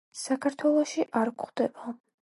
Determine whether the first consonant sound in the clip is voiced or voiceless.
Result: voiceless